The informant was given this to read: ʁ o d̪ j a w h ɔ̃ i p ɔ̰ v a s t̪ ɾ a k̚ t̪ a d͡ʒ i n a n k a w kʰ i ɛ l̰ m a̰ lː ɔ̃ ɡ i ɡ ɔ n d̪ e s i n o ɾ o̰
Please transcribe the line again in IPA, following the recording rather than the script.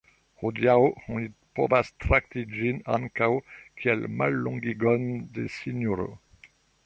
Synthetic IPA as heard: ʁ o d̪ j a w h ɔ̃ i p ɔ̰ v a s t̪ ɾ a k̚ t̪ i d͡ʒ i n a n k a w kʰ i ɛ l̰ m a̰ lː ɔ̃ ɡ i ɡ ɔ n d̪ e s i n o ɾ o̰